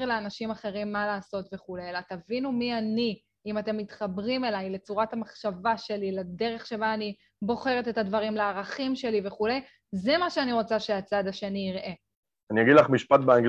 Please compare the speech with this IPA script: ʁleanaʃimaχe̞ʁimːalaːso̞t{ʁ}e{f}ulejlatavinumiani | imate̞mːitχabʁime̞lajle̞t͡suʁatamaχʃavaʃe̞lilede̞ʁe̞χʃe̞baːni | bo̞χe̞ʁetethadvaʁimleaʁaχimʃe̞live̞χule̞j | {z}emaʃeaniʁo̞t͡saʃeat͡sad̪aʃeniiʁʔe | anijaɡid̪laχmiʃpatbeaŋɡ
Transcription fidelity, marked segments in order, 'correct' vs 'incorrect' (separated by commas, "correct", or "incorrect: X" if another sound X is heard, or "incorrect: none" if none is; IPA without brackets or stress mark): incorrect: v, incorrect: χ, correct